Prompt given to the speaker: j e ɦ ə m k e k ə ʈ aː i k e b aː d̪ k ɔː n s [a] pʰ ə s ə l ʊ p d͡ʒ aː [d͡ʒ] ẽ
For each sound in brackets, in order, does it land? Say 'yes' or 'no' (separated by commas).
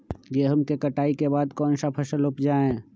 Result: yes, no